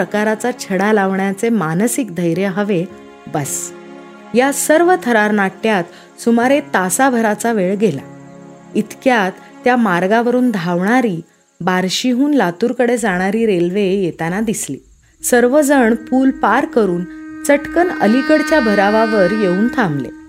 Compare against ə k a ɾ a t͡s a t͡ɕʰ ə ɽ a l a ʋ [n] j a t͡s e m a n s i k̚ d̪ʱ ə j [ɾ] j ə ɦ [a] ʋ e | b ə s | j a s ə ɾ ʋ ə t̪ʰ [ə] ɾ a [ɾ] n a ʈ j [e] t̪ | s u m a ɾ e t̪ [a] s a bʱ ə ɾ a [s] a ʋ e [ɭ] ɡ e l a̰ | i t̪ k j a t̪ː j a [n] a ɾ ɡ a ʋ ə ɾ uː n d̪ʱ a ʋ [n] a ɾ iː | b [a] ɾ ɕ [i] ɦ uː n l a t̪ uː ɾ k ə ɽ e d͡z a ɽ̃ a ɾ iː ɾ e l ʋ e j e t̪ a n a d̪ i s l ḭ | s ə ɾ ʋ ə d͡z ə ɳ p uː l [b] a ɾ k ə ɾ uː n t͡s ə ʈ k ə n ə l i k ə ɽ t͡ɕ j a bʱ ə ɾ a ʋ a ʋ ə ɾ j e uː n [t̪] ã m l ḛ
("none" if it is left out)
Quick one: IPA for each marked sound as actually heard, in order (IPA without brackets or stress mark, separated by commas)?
ɳ, ɾ, ə, ə, ɾ, a, a, t͡s, ɭ, m, ɳ, a, i, p, t̪ʰ